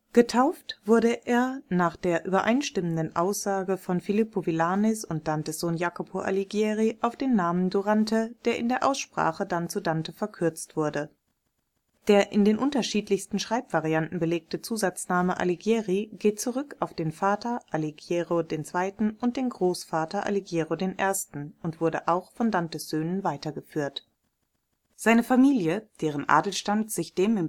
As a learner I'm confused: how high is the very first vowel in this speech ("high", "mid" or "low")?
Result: mid